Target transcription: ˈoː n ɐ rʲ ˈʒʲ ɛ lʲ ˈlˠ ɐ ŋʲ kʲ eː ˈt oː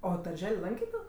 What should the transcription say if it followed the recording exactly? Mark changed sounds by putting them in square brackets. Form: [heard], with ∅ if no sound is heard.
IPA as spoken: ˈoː [d] ɐ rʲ ˈʒʲ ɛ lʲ ˈlˠ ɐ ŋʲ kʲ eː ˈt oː